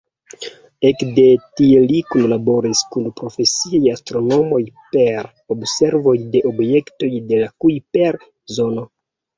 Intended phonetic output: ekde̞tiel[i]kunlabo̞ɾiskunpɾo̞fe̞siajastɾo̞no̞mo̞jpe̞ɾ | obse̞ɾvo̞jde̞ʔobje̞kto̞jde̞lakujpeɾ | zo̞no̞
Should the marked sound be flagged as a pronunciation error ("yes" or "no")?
no